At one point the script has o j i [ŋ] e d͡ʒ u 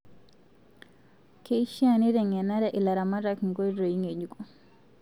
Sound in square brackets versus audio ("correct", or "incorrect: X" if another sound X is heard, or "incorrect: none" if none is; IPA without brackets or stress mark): correct